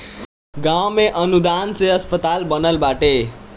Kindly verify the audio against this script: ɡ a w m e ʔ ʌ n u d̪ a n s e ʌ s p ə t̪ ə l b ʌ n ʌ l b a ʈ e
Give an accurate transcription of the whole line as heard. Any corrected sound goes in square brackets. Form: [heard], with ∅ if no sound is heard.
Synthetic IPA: ɡ a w m e ʔ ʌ n u d̪ a n s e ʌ s p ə t̪ [a] l b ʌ n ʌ l b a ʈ e